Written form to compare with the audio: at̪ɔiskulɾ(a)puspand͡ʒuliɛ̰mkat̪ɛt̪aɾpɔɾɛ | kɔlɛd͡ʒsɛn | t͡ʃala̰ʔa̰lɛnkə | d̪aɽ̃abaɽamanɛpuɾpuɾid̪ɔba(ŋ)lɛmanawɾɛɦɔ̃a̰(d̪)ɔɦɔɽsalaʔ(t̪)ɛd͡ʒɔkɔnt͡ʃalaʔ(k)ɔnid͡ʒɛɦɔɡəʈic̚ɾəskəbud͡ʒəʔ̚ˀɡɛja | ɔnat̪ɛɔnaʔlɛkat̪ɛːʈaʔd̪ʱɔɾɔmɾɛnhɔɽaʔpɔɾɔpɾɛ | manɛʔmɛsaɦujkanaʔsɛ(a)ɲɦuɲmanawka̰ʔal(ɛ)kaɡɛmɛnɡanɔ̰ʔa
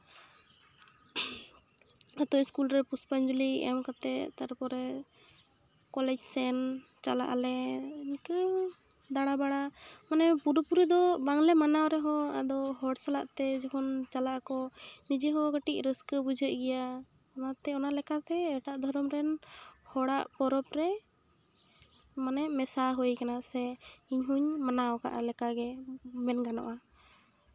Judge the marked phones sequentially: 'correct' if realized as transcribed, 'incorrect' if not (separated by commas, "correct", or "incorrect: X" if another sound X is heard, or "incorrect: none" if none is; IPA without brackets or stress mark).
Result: incorrect: ɛ, correct, correct, correct, correct, incorrect: i, correct